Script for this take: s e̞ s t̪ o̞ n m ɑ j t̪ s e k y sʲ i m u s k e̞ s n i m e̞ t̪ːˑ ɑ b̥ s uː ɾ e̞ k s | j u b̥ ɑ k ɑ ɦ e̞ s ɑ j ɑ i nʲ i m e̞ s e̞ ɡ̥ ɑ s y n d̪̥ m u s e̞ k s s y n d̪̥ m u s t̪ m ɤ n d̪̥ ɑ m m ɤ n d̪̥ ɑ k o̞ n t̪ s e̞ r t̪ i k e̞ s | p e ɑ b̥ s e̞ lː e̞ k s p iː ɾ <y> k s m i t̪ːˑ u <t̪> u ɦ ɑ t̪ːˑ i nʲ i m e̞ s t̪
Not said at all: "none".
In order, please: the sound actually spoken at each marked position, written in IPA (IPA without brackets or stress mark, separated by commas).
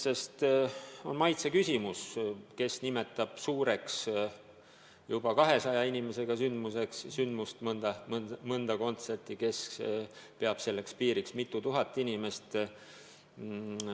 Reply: i, t̪